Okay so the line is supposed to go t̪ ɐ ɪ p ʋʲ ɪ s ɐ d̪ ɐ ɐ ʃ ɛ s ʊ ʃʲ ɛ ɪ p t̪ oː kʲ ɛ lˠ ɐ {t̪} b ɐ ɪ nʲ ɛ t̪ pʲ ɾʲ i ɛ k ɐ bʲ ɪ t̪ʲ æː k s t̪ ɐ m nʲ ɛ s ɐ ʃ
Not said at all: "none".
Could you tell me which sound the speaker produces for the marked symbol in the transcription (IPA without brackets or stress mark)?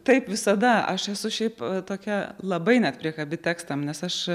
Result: none